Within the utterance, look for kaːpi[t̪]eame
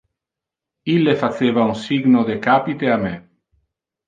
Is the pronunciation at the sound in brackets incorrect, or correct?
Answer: correct